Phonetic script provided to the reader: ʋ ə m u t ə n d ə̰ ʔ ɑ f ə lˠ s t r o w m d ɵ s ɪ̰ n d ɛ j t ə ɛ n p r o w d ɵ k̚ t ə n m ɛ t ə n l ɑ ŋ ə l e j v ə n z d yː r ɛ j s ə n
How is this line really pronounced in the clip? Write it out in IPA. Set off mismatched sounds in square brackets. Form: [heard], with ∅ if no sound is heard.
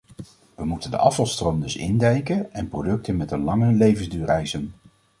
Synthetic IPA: ʋ ə m u t ə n d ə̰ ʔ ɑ f [ɑ] lˠ s t r o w m d ɵ s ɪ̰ n d ɛ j [k] ə ɛ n p r o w d ɵ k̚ t ə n m ɛ t ə n l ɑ ŋ ə l e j v ə n z d yː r ɛ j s ə n